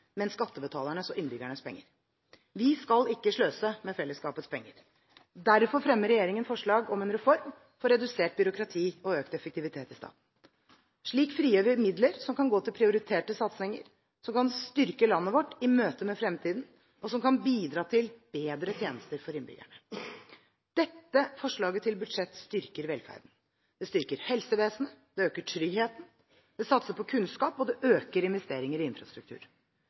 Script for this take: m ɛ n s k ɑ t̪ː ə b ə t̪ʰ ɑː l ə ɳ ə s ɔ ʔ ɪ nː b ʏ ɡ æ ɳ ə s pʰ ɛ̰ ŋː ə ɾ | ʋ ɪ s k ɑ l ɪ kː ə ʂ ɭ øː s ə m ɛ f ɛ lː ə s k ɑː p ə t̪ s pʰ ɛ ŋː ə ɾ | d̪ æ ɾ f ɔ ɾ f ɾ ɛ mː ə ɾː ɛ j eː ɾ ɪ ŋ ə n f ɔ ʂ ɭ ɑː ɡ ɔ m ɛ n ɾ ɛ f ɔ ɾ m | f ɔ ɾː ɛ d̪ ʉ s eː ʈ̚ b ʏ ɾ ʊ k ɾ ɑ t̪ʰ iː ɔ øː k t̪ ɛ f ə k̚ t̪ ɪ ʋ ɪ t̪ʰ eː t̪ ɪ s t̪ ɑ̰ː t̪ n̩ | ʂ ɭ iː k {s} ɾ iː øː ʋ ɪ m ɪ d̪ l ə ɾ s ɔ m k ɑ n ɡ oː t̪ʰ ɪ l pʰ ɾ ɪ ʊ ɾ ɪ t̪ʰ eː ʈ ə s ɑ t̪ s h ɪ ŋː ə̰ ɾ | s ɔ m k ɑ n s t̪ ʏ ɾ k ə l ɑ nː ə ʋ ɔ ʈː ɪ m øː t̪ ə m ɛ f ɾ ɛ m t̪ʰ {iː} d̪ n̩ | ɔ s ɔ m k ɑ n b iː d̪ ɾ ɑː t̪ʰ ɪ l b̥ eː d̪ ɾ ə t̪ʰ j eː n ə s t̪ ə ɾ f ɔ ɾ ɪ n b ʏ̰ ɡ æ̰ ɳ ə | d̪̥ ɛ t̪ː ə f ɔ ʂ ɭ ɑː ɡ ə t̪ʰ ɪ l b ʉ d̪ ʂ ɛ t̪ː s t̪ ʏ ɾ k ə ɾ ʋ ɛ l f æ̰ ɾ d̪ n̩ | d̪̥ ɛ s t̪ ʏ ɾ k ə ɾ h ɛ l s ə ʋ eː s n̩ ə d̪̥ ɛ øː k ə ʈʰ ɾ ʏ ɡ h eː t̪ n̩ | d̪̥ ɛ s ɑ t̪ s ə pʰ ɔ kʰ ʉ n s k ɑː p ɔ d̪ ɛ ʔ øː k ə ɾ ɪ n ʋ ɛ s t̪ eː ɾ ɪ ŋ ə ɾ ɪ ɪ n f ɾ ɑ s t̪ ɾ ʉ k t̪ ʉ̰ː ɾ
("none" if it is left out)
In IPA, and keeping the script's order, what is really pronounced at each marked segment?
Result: f, iː

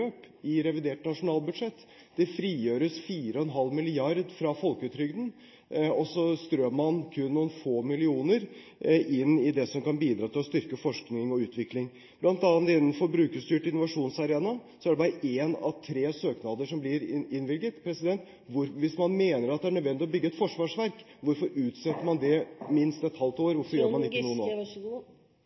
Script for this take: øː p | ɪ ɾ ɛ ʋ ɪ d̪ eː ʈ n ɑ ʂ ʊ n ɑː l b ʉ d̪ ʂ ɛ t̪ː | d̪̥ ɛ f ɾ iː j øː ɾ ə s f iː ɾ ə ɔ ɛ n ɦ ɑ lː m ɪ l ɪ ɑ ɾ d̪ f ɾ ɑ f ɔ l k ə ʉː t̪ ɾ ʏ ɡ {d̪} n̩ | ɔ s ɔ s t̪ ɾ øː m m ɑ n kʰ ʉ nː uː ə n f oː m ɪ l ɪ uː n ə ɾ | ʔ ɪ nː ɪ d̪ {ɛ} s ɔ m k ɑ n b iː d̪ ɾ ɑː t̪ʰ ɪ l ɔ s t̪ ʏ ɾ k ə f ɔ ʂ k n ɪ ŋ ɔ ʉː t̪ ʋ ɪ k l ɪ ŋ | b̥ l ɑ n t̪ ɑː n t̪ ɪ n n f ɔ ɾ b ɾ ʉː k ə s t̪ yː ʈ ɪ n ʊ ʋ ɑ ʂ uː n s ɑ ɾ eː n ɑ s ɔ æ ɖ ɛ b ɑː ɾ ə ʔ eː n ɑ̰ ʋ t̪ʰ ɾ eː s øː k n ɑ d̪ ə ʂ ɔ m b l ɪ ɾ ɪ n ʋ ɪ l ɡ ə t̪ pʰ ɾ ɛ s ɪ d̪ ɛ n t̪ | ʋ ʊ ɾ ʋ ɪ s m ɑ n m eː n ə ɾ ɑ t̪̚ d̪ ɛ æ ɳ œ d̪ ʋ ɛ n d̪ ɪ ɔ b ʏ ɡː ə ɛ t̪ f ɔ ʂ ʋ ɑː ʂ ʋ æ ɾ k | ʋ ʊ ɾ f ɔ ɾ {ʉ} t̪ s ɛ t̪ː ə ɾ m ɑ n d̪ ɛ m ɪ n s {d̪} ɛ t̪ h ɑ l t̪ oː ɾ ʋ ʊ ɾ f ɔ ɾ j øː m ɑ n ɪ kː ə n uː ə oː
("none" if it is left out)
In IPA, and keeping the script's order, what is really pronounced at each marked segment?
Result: d̪, ɛ, ʉː, t̪

